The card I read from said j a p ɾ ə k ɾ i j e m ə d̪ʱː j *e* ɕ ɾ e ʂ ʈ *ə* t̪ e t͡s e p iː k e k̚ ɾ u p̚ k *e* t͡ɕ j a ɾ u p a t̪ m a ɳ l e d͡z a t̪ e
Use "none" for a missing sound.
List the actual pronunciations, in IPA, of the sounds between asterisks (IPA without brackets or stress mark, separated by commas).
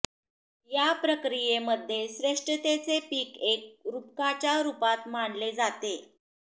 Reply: e, ə, a